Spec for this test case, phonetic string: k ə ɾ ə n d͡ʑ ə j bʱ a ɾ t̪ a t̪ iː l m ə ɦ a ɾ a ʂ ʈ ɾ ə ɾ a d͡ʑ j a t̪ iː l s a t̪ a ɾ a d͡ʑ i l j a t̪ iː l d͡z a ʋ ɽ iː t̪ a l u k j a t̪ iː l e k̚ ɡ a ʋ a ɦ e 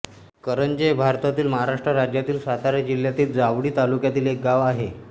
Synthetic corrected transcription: k ə ɾ ə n d͡ʑ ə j bʱ a ɾ t̪ a t̪ iː l m ə ɦ a ɾ a ʂ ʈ ɾ ə ɾ a d͡ʑ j a t̪ iː l s a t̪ a ɾ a d͡ʑ i l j a t̪ iː l d͡z a ʋ ɽ iː t̪ a l u k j a t̪ iː l e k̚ ɡ a ʋ a ɦ e